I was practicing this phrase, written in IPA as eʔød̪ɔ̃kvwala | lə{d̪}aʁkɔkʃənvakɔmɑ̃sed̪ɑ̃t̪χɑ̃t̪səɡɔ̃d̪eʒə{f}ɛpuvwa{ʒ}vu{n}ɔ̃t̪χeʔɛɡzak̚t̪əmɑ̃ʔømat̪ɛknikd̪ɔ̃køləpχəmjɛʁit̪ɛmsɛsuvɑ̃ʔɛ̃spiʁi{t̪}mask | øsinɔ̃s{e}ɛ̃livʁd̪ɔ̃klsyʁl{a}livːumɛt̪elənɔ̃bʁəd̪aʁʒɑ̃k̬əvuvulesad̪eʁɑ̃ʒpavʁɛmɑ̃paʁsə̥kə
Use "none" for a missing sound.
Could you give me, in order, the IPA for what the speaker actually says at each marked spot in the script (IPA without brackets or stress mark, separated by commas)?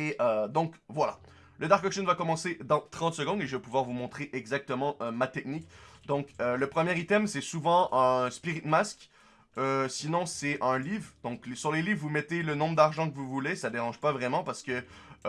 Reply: d̪, v, ʁ, m, t̪, ɛ, e